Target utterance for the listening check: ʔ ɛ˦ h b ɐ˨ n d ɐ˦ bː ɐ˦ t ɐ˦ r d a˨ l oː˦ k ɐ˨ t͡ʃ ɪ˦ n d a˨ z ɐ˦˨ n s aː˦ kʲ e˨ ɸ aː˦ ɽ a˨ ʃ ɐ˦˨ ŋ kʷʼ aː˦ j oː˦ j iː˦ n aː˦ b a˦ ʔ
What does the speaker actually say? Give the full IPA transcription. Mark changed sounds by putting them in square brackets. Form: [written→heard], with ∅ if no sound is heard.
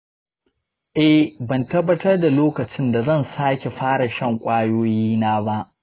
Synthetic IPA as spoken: ʔ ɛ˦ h b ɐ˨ n [d→t] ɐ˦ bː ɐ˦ t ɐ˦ r d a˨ l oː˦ k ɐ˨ t͡ʃ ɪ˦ n d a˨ z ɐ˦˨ n s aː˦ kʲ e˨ ɸ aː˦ ɽ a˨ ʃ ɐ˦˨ ŋ kʷʼ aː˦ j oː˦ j iː˦ n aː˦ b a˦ ʔ